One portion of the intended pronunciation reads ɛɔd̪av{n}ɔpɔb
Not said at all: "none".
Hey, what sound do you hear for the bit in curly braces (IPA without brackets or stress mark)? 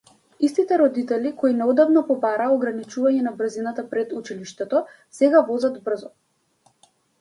n